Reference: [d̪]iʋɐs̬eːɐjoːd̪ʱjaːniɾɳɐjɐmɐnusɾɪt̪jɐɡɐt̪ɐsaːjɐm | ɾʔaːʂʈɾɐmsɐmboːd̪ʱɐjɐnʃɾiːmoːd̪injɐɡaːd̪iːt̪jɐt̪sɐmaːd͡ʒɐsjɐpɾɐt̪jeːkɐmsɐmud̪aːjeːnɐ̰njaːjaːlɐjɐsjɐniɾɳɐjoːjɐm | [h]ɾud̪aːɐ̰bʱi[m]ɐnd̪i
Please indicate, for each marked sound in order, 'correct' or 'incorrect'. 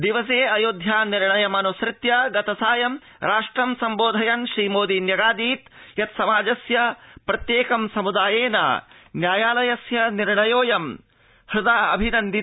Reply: correct, correct, incorrect

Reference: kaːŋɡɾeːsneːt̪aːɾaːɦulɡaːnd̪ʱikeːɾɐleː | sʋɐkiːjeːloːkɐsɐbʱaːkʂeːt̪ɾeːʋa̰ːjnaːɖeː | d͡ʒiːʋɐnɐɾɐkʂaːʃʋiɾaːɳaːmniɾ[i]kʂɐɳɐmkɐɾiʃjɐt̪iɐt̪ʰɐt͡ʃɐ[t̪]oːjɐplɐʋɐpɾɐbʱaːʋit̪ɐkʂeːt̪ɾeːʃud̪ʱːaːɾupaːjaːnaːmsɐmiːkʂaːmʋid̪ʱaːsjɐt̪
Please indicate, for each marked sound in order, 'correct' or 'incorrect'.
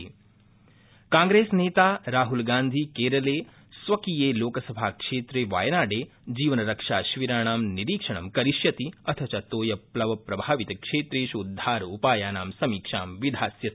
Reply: incorrect, correct

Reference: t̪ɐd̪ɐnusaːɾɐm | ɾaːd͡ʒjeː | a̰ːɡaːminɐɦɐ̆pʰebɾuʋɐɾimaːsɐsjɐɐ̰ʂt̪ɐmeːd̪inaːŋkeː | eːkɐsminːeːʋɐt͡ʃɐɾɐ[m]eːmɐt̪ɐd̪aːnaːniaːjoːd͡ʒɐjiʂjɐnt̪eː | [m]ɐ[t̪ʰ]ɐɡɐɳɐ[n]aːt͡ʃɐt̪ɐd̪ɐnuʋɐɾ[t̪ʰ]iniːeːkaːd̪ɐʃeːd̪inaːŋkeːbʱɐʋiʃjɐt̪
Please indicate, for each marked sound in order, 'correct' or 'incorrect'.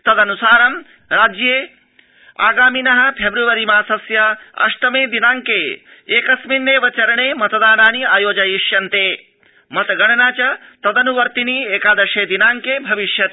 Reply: incorrect, correct, incorrect, correct, incorrect

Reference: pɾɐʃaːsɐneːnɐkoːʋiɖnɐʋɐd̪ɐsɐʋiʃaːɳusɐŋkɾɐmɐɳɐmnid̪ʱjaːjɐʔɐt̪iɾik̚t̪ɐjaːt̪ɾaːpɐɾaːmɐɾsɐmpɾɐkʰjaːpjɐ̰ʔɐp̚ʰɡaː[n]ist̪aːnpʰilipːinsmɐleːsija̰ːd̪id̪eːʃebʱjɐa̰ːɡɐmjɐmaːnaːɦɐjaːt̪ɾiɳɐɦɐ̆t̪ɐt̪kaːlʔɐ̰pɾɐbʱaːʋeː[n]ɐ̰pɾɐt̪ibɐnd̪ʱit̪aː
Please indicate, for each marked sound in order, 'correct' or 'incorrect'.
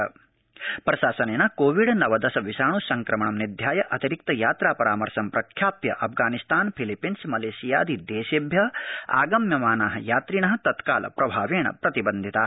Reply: correct, incorrect

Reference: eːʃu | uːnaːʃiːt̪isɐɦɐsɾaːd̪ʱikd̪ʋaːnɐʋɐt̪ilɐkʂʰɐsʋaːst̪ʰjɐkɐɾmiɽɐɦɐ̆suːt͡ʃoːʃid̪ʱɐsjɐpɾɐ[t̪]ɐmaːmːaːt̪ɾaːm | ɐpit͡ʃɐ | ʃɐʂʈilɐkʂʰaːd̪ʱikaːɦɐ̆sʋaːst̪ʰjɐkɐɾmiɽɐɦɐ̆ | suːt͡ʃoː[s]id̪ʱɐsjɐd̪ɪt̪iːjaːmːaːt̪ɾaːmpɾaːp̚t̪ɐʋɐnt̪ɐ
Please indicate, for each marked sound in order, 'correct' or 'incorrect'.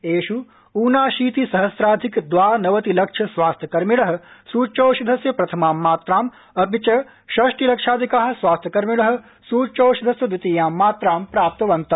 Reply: incorrect, incorrect

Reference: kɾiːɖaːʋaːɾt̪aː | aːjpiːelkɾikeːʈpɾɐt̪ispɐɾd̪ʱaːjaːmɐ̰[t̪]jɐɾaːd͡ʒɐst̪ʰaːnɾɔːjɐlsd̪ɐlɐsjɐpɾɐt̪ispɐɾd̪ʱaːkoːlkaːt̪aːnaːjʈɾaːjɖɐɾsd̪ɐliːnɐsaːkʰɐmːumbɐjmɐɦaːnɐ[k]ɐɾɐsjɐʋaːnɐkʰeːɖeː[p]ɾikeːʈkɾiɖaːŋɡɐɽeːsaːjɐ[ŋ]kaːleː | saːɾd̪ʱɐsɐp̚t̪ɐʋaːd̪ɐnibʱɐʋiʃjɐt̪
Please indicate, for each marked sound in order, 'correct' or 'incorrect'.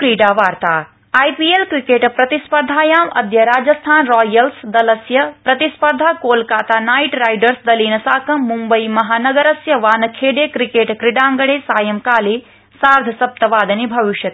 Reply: incorrect, incorrect, incorrect, incorrect

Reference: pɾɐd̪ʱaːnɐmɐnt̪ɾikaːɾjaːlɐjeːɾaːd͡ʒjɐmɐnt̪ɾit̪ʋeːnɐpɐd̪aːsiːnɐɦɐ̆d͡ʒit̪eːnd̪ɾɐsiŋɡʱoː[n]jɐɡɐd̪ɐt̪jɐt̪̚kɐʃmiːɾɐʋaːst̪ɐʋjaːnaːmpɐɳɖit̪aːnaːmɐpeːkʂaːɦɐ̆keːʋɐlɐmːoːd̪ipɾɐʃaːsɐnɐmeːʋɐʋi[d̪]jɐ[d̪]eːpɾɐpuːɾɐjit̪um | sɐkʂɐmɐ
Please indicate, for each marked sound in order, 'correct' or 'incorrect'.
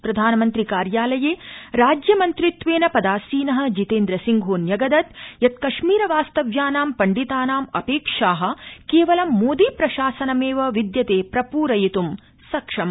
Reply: correct, correct, incorrect

